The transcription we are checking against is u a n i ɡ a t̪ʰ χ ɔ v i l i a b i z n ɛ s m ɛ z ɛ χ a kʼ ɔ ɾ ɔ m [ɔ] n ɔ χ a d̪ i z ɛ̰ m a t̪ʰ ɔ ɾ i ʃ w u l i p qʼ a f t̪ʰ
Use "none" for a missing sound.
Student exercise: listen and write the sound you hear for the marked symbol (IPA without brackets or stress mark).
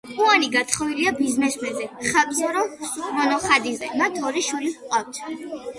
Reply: ɔ